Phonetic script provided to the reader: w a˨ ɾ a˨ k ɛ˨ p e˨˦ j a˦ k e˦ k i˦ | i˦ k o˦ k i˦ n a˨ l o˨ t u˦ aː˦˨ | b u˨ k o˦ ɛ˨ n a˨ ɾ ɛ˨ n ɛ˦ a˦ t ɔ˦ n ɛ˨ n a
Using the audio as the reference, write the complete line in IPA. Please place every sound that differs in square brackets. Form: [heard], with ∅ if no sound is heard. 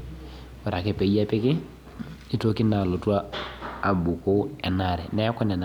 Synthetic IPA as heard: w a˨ ɾ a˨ k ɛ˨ p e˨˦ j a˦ [p] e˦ k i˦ | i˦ [t] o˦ k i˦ n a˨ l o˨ t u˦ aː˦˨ | b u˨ k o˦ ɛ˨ n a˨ ɾ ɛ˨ n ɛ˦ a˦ [k] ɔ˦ n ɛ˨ n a